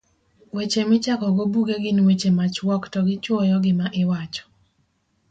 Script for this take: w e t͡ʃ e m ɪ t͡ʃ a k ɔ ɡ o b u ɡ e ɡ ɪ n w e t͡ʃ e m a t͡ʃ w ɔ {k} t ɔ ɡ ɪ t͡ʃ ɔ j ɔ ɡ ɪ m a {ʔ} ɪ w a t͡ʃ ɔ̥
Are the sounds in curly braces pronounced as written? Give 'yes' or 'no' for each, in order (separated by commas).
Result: yes, yes